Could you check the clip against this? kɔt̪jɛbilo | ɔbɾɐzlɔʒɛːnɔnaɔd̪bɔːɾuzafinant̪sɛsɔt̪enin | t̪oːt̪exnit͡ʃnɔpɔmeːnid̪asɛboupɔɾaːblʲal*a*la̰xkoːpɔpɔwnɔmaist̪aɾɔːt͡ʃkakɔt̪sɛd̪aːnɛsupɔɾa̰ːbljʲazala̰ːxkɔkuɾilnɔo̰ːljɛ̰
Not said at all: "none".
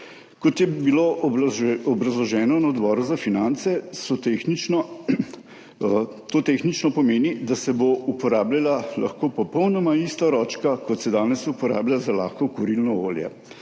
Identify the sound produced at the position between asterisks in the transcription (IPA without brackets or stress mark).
a